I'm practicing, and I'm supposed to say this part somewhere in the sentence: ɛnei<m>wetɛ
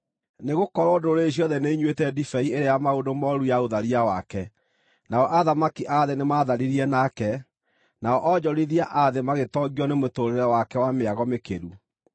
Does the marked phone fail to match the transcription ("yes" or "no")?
yes